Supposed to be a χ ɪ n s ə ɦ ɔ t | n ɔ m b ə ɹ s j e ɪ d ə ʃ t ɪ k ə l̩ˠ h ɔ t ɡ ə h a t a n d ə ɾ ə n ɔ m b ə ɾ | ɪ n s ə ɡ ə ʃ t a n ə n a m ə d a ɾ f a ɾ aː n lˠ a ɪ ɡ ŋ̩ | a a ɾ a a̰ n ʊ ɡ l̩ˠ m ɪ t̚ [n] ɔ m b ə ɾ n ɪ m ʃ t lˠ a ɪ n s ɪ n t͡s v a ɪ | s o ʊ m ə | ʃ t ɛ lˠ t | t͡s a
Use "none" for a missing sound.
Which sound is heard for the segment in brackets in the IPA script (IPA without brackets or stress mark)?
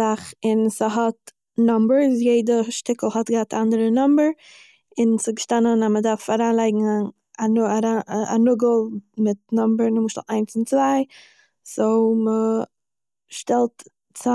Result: n